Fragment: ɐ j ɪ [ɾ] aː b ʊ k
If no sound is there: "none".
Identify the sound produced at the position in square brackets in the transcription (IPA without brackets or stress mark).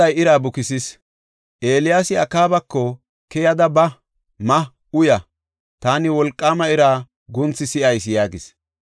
ɾ